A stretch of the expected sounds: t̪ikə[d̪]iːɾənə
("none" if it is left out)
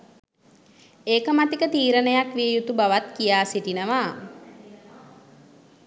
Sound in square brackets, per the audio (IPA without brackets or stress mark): t̪